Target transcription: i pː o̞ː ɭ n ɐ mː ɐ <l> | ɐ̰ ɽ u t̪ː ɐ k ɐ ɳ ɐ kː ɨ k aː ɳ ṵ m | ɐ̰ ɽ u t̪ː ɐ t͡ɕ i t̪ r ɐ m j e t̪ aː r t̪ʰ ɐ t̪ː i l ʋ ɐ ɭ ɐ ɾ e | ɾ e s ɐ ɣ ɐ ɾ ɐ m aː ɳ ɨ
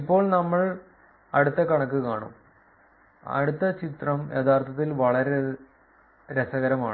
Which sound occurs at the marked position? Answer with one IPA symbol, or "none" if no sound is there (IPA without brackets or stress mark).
ɭ